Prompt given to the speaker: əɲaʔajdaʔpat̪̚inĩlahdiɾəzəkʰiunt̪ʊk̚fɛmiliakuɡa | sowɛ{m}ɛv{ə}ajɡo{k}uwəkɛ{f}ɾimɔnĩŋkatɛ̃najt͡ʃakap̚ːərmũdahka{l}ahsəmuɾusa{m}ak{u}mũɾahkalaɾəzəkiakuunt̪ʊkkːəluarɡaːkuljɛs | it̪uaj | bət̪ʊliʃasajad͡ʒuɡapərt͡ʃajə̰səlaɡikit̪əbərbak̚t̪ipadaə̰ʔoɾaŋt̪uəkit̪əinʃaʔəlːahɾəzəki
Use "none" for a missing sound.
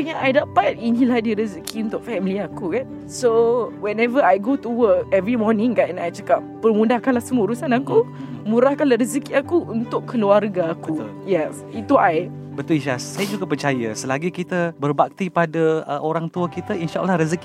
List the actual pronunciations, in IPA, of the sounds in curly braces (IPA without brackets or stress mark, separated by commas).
n, ə, t, v, l, n, u